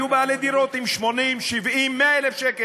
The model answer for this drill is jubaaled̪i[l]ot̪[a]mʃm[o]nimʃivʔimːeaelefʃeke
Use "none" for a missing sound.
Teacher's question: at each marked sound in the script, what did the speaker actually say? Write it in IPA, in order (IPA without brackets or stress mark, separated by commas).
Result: ɾ, i, o